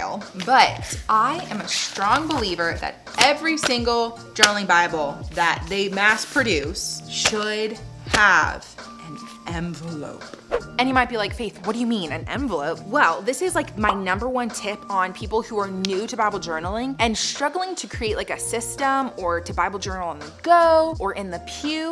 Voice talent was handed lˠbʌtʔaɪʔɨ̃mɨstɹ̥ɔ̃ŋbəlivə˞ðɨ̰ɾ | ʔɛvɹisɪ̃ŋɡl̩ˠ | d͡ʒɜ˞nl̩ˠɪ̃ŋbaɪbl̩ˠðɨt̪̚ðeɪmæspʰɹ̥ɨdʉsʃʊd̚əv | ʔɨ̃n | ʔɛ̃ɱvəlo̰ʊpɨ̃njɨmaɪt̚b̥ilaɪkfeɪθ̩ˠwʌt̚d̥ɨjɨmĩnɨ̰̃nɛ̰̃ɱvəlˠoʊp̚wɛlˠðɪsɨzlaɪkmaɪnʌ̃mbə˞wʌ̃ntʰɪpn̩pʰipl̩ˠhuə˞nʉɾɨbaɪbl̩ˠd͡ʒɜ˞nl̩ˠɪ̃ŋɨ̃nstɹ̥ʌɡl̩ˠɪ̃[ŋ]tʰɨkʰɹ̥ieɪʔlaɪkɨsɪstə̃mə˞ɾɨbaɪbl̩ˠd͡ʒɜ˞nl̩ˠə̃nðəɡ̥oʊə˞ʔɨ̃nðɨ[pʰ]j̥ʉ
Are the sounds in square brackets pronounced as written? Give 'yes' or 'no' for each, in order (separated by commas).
yes, yes